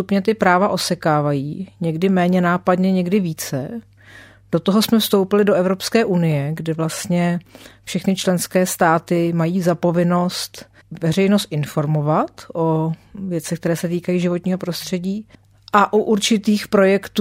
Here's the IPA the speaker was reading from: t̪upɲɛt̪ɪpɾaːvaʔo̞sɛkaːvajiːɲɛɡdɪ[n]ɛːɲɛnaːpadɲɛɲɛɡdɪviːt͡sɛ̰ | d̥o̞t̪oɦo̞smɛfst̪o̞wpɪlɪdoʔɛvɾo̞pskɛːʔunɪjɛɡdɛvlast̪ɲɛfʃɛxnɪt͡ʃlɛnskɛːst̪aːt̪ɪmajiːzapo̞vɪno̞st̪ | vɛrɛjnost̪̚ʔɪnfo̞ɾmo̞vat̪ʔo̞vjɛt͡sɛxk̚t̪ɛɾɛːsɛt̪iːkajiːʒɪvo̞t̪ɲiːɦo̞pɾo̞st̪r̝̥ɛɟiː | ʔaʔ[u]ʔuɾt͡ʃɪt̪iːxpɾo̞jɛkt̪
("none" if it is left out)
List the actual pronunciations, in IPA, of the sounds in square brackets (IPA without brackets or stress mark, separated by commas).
m, u